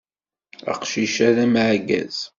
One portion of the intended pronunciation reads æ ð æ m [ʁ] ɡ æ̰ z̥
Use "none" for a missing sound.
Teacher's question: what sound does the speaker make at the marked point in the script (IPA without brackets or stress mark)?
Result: ʕ